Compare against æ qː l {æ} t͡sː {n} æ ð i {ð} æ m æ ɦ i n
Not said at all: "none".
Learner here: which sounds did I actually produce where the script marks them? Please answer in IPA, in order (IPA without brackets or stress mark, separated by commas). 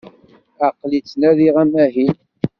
i, n, ʁ